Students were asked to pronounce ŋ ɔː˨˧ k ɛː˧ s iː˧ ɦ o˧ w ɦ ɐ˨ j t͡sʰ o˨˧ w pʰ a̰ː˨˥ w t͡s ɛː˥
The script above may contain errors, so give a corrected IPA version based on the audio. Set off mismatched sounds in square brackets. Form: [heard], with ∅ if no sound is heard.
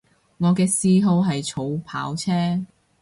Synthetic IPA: ŋ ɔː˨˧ k ɛː˧ s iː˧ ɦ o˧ w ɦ ɐ˨ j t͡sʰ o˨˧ w pʰ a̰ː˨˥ w [t͡sʰ] ɛː˥